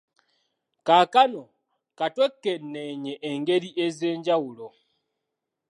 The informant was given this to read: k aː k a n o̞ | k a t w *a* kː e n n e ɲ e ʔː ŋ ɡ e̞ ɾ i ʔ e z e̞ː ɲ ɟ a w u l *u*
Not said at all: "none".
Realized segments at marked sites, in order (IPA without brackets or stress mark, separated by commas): e, o